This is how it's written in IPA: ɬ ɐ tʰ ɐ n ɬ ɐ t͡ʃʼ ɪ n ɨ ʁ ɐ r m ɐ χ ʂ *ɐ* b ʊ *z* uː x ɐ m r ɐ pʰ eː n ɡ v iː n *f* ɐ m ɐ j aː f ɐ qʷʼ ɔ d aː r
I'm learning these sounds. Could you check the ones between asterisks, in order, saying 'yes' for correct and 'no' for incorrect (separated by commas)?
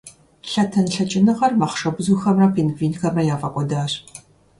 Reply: yes, yes, no